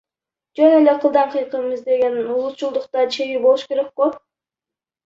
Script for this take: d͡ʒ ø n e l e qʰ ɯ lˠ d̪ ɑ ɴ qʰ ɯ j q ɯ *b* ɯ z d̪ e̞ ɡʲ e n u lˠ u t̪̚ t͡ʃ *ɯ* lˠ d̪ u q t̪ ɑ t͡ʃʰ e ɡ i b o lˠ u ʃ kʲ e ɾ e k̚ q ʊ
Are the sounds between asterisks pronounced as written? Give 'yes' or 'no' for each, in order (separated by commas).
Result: no, no